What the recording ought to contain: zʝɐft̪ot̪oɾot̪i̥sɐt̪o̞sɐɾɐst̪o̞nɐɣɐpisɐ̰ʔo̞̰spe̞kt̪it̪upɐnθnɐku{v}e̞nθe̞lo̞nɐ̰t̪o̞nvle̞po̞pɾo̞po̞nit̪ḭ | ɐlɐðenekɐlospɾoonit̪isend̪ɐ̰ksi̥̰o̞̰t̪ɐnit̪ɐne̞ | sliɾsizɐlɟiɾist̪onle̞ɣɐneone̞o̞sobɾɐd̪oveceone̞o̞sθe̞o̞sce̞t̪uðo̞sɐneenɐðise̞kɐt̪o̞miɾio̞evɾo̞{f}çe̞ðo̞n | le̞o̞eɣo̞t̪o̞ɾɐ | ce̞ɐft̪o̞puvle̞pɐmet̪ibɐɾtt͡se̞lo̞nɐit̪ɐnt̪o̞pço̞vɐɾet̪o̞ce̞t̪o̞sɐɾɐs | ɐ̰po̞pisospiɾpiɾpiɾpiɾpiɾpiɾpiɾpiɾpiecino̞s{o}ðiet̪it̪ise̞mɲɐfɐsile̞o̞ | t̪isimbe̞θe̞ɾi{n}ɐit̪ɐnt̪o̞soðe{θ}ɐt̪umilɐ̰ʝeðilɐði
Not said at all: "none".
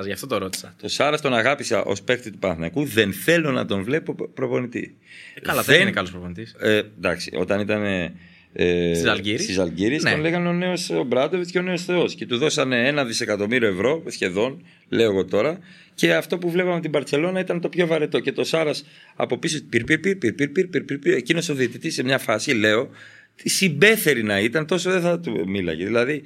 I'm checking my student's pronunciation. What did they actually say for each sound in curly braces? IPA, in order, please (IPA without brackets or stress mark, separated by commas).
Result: ð, s, o, n, θ